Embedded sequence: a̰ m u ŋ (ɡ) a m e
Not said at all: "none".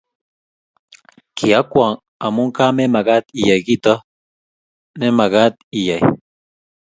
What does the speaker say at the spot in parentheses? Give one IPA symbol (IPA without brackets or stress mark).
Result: k